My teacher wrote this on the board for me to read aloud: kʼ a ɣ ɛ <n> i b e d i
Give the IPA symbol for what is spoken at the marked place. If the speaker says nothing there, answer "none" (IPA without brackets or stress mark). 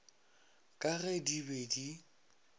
d